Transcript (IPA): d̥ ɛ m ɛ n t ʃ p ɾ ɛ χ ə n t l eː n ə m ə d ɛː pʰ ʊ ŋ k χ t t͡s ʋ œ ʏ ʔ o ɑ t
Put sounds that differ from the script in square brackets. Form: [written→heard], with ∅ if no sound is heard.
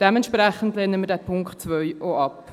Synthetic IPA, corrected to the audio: d̥ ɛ m ɛ n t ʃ p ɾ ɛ χ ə n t l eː n ə m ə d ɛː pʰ ʊ ŋ k χ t t͡s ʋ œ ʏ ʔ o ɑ [t→p]